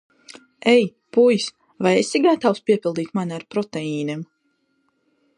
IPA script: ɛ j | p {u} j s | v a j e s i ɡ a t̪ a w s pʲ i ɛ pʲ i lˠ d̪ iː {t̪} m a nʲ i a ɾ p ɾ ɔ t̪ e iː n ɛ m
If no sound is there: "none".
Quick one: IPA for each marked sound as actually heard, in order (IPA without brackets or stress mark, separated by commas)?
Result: u, t̪